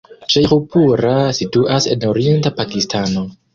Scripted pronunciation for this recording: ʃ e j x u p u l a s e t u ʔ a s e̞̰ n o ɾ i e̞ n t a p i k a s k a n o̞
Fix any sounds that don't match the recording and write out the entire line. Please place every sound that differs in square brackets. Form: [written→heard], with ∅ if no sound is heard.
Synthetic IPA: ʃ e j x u p u [l→ɾ] a s [e→i] t u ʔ a s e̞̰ n o ɾ i e̞ n t a p [i→a] k [a→i] s [k→t] a n o̞